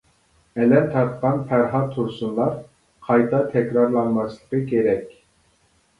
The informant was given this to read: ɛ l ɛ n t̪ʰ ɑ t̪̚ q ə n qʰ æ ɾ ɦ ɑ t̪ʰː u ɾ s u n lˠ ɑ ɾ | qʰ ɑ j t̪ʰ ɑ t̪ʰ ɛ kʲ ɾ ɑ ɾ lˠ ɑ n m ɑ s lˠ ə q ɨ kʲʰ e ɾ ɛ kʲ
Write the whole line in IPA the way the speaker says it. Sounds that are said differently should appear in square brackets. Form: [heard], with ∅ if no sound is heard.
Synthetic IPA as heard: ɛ l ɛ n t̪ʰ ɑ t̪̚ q [ɑ] n [pʰ] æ ɾ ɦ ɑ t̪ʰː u ɾ s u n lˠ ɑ ɾ | qʰ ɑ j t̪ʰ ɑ t̪ʰ ɛ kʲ ɾ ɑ ɾ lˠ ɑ n m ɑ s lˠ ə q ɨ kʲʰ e ɾ ɛ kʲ